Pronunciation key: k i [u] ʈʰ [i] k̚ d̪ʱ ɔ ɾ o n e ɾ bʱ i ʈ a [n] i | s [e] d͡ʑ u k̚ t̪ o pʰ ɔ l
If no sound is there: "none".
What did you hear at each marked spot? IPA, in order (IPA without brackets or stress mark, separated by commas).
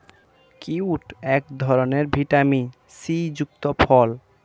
u, ɛ, m, i